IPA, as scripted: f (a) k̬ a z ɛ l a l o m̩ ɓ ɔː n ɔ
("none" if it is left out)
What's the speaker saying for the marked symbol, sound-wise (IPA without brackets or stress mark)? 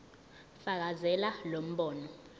a